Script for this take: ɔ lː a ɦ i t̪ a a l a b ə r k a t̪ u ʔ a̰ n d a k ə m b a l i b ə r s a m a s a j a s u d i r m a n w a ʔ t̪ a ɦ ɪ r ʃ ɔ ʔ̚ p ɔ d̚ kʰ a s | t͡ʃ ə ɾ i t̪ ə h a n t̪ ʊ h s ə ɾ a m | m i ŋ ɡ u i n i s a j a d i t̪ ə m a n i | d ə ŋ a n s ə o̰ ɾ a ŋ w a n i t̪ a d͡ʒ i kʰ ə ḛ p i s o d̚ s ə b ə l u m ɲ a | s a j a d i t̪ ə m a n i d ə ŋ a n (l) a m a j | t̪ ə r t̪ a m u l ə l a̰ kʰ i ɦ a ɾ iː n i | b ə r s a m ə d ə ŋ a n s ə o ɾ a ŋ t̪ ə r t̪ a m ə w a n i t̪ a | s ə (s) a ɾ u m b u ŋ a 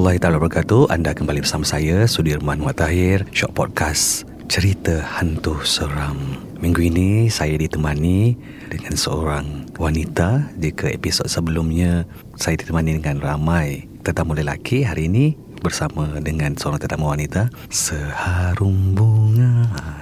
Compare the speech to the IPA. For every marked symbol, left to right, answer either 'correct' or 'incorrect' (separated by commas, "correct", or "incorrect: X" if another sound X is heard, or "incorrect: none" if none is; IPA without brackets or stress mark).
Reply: incorrect: r, incorrect: h